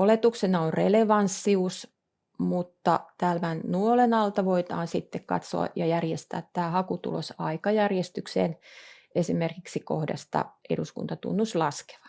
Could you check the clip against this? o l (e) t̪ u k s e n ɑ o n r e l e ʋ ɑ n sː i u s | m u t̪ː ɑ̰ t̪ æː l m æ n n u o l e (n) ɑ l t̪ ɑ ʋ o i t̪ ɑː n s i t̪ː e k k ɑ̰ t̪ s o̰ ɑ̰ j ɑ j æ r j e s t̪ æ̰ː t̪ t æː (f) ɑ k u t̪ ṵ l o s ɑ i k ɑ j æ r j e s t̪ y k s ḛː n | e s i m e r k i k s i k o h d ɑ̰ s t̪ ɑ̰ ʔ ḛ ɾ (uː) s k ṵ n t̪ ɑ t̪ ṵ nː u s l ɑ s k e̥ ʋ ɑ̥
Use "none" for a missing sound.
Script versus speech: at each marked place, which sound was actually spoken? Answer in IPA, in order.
e, n, h, u

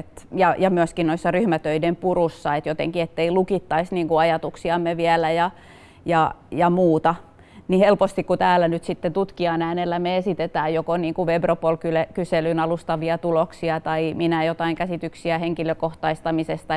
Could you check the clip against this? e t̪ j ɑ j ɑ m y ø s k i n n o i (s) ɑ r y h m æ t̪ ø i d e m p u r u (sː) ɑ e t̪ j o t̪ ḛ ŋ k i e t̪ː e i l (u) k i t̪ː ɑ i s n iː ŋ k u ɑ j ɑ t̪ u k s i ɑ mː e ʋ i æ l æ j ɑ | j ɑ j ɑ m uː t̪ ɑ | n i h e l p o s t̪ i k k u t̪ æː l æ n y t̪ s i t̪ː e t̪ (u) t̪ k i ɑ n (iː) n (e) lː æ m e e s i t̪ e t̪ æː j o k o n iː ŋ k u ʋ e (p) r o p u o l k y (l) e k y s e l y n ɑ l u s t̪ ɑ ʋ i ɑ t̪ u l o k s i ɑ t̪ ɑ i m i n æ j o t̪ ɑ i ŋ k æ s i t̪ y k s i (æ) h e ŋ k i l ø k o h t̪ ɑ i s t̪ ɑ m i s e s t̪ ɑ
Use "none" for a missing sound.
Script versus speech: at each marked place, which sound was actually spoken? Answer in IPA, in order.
sː, sː, u, u, æː, e, b, l, æ

